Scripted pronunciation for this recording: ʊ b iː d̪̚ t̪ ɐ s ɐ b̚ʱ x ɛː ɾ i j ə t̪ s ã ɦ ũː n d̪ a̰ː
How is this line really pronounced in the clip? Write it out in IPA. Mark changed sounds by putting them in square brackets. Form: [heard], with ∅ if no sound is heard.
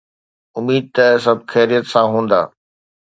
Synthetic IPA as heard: ʊ [m] iː d̪̚ t̪ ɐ s ɐ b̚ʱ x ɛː ɾ i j ə t̪ s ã ɦ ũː n d̪ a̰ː